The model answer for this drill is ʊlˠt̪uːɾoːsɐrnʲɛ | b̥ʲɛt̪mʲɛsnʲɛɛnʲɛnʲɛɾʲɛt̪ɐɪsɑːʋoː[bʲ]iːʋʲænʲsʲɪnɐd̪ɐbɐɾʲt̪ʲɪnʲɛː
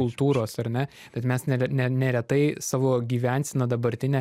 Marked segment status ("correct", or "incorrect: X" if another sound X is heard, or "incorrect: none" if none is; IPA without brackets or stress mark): incorrect: ɡʲ